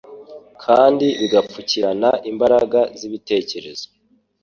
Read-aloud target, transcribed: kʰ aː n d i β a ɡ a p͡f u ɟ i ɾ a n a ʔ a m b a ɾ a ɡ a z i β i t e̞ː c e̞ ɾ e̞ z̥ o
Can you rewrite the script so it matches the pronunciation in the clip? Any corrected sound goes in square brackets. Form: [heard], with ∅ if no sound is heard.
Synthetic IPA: kʰ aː n d i β [i] ɡ a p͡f u [c] i ɾ a n a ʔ [i] m b a ɾ a ɡ a z i β i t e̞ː c e̞ ɾ e̞ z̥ o